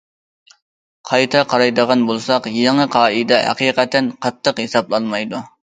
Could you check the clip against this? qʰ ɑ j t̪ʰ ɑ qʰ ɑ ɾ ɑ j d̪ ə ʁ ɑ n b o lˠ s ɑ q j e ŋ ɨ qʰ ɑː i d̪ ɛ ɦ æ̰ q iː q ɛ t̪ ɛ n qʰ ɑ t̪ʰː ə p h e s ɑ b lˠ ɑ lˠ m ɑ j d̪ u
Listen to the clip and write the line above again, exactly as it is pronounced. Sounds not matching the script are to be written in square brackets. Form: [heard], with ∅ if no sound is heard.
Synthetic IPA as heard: qʰ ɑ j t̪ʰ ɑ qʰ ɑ ɾ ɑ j d̪ ə ʁ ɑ n b o lˠ s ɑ q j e ŋ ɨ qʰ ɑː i d̪ ɛ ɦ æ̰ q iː q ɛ t̪ ɛ n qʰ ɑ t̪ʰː ə [q] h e s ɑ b lˠ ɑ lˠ m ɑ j d̪ u

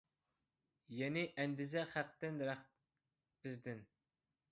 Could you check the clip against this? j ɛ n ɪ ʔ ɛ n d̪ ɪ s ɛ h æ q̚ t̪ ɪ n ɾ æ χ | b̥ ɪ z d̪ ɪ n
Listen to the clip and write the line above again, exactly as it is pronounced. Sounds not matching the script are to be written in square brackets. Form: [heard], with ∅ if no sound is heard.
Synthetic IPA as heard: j ɛ n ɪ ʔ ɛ n d̪ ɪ [z] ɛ [χ] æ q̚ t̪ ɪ n ɾ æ χ | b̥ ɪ z d̪ ɪ n

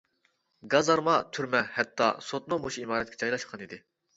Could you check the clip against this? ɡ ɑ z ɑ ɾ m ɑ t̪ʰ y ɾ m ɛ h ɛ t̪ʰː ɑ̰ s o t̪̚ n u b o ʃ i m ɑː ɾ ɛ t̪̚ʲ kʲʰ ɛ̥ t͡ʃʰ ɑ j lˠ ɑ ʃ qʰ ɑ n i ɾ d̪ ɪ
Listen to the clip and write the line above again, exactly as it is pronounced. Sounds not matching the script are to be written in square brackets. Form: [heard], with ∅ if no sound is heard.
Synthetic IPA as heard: ɡ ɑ z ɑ ɾ m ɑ t̪ʰ y ɾ m ɛ h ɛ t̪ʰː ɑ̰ s o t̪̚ n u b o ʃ i m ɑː ɾ ɛ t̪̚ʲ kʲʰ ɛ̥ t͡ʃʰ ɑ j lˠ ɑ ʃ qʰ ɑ n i [∅] d̪ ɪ

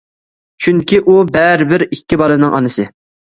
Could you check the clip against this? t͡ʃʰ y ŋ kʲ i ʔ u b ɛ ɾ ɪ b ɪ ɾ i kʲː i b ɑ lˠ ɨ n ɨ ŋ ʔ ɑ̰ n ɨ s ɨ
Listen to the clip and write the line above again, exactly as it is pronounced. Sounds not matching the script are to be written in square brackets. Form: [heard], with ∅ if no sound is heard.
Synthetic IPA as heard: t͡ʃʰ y ŋ kʲ i ʔ u b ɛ ɾ ɪ b ɪ ɾ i kʲː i b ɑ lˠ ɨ n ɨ ŋ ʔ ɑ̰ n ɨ s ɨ

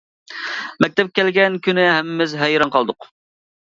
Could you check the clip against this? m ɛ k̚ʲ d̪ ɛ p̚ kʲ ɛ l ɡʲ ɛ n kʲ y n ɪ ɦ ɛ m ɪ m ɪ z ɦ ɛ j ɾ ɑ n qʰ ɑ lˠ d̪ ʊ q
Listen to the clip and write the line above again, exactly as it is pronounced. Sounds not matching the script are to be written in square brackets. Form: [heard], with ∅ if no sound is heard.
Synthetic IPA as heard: m ɛ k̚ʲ [t̪] ɛ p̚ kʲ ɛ l ɡʲ ɛ n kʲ y n ɪ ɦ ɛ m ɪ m ɪ z ɦ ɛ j ɾ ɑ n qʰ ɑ lˠ d̪ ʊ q

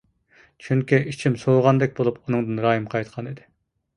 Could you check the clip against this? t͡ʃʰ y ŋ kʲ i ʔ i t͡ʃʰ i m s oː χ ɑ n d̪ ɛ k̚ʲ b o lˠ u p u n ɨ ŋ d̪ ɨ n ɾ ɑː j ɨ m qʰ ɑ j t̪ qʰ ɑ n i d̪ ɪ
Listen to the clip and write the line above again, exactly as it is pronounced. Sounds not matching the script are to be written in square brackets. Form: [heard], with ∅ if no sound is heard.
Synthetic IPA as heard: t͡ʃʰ y ŋ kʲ i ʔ i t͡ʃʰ i m s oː [ʁ] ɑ n d̪ ɛ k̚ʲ b o lˠ u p u n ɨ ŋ d̪ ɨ n ɾ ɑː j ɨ m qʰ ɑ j t̪ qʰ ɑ n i d̪ ɪ

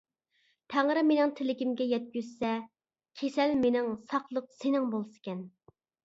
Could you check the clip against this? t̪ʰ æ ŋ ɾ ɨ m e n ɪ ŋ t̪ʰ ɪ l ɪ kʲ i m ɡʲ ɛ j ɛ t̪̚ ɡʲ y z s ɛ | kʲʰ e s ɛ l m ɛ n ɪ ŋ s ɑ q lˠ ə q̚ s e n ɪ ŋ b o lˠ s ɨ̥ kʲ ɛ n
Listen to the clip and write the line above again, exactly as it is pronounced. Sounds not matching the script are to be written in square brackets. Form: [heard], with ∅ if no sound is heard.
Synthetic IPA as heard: t̪ʰ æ ŋ ɾ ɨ m e n ɪ ŋ t̪ʰ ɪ l ɪ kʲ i m ɡʲ ɛ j ɛ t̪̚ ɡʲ y z s ɛ | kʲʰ e s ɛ l m [e] n ɪ ŋ s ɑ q lˠ ə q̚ s e n ɪ ŋ b o lˠ s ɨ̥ kʲ ɛ n

